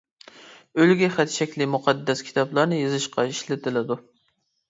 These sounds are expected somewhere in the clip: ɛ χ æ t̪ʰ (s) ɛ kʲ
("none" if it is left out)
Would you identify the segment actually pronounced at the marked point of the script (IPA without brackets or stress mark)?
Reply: ʃ